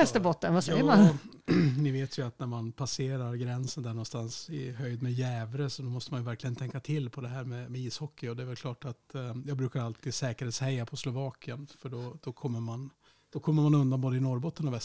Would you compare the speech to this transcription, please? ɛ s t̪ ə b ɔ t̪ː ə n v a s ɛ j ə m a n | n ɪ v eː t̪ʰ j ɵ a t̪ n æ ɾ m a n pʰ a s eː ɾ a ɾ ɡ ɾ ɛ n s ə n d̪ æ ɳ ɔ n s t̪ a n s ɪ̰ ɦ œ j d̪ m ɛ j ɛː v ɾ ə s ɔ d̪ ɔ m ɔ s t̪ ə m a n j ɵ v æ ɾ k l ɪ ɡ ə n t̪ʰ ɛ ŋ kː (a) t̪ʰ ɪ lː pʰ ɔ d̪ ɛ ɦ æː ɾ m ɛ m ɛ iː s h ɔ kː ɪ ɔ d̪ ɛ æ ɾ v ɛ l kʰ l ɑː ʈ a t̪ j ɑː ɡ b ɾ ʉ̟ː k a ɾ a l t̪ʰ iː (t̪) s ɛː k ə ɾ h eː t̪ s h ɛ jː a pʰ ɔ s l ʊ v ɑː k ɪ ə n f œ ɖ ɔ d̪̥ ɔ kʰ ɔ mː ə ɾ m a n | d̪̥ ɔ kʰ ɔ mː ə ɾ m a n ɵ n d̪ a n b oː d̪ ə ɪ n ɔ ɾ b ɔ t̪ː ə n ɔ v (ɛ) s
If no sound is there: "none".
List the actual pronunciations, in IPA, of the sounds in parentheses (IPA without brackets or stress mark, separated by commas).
a, d̪, ɛ